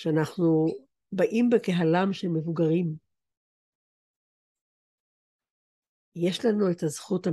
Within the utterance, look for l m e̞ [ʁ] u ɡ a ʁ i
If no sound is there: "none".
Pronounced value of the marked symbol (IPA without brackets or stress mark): v